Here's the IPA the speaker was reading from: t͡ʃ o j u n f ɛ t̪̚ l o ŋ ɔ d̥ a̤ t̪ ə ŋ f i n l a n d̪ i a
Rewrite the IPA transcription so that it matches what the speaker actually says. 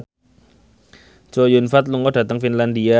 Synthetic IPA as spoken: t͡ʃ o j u n f a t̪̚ l u ŋ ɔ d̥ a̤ t̪ ə ŋ f i n l a n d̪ i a